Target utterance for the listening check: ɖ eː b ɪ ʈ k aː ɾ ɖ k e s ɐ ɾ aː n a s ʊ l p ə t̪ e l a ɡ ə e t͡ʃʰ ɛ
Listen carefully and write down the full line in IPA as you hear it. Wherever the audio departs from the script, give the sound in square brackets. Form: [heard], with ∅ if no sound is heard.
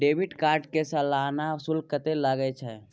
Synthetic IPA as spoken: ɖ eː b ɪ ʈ k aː ɾ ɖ k e s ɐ [l] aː n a s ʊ l [k] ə t̪ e l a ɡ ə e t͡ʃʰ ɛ